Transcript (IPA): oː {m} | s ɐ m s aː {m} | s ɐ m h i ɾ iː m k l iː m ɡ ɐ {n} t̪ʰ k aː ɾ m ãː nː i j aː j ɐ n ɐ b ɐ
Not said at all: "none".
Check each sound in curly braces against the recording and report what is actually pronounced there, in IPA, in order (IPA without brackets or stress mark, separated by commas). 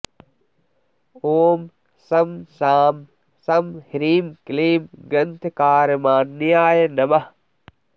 m, m, n